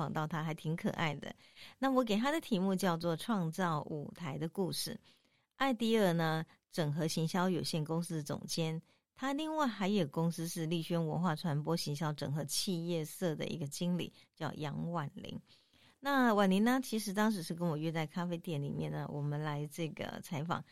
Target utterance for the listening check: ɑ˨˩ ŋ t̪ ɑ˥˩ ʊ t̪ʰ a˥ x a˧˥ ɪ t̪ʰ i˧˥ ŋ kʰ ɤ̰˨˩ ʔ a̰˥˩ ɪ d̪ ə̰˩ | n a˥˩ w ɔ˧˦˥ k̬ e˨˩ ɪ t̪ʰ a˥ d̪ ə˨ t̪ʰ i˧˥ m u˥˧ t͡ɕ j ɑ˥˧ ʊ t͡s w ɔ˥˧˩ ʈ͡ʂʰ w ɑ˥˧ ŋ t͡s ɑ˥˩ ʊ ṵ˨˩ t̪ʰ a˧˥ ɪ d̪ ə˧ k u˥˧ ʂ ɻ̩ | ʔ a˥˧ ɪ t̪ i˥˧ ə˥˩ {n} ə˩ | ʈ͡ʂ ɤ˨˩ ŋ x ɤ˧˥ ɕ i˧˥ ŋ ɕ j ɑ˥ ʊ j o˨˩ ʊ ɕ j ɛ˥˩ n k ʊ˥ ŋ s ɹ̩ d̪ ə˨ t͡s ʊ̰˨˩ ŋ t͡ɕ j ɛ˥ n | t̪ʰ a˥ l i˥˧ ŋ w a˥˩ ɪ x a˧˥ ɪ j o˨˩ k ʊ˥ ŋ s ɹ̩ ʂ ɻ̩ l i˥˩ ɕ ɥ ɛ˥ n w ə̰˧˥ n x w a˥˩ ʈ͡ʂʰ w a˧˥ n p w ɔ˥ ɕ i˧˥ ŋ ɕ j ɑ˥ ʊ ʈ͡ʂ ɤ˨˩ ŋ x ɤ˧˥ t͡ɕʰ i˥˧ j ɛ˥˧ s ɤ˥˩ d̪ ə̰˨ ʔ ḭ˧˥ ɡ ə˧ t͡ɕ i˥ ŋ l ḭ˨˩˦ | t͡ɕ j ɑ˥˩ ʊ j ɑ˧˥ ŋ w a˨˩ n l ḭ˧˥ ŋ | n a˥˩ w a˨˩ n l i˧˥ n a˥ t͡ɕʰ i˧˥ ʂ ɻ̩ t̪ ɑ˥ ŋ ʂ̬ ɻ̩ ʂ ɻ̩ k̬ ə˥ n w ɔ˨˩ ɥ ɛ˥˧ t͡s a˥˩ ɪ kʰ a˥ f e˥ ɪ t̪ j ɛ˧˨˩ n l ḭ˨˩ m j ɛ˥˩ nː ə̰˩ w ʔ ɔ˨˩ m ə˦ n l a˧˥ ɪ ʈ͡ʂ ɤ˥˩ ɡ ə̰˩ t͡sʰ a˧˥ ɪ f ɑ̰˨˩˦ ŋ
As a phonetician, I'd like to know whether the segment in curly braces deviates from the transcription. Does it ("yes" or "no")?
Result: no